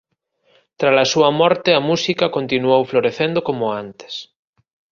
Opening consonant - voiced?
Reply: no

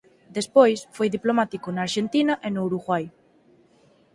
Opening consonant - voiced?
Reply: yes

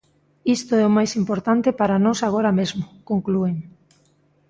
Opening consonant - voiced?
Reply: no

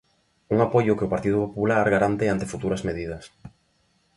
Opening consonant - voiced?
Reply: yes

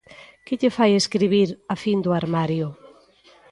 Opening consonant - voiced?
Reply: no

